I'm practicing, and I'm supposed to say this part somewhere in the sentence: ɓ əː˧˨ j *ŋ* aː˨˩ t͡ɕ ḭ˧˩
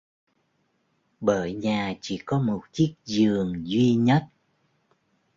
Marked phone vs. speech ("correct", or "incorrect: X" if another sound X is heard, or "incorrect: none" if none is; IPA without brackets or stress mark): incorrect: ɲ